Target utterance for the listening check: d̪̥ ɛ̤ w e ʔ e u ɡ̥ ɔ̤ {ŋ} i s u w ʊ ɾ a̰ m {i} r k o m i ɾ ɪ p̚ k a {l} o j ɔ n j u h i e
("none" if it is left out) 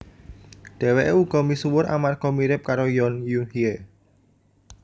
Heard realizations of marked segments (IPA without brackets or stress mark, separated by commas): m, a, ɾ